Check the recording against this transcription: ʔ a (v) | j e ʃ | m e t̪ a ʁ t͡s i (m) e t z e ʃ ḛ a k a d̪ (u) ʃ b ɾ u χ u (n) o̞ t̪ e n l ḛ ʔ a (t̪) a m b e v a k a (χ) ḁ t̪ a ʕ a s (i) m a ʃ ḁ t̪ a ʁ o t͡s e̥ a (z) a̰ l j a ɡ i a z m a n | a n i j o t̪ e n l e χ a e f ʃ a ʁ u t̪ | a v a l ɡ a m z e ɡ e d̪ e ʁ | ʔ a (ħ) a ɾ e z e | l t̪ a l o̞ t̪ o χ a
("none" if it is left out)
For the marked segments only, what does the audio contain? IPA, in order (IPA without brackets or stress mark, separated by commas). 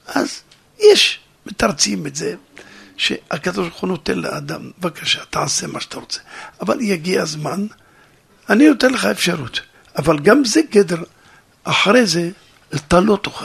z, m, o, n, d̪, ʃ, e, v, ħ